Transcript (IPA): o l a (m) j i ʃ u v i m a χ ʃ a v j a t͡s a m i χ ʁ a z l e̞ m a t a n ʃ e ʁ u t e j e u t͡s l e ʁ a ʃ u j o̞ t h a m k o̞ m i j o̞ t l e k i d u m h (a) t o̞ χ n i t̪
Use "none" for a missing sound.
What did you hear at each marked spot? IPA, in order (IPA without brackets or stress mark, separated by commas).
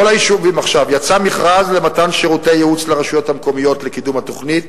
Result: none, a